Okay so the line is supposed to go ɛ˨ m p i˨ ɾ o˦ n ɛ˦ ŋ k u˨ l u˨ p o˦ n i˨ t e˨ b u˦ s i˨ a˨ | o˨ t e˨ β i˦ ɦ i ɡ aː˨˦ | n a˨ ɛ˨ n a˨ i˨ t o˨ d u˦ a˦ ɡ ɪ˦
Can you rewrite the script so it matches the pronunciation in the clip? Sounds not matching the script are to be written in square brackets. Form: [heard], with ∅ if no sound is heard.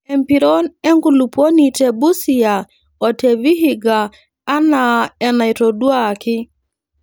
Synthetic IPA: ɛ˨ m p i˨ ɾ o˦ n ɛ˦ ŋ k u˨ l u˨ p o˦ n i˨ t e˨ b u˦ s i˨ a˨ | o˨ t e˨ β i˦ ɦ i ɡ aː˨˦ | n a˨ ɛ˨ n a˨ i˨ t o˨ d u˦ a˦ [k] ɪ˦

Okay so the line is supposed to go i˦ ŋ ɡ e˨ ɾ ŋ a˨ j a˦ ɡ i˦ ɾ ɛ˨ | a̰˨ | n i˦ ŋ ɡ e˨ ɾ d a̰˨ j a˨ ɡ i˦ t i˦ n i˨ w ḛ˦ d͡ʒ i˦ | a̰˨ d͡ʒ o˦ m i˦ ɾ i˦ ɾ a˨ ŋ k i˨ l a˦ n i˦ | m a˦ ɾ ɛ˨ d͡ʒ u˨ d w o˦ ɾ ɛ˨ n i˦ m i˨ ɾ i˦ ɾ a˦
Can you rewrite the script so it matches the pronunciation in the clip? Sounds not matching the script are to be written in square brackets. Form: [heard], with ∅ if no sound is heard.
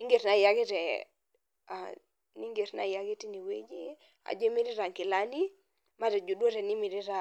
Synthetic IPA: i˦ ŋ ɡ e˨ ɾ [n] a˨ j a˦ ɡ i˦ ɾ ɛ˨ | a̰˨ | n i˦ ŋ ɡ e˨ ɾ [n] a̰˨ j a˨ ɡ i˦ t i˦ n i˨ w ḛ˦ d͡ʒ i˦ | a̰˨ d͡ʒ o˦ m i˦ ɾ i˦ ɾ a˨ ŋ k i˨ l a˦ n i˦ | m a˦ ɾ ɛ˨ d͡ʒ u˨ d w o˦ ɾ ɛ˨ n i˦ m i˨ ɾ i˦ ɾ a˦

